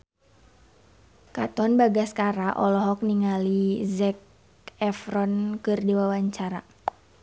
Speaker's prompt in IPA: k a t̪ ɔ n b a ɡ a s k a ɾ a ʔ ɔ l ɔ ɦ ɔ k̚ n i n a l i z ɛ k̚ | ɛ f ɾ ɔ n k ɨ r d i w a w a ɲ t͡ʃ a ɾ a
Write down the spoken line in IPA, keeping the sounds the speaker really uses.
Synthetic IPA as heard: k a t̪ ɔ n b a ɡ a s k a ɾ a ʔ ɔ l ɔ ɦ ɔ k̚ n i ŋ a l i z ɛ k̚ | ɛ f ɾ ɔ n k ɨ r d i w a w a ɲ t͡ʃ a ɾ a

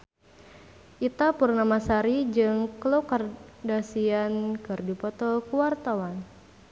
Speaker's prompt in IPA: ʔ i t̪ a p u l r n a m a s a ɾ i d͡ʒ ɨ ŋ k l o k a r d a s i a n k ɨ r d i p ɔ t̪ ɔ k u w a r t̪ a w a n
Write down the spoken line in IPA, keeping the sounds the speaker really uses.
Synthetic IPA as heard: ʔ i t̪ a p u r n a m a s a ɾ i d͡ʒ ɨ ŋ k l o k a r d a s i a n k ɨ r d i p ɔ t̪ ɔ k u w a r t̪ a w a n

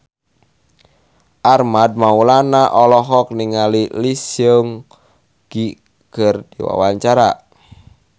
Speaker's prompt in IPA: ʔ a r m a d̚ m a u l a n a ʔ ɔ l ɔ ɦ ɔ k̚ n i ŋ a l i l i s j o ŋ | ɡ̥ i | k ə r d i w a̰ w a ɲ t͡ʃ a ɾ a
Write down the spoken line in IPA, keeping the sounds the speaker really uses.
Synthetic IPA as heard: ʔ a r m a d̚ m a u l a n a ʔ ɔ l ɔ ɦ ɔ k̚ n i ŋ a l i l i s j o ŋ | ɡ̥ i | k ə r d i w a̰ w a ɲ t͡ʃ a ɾ a

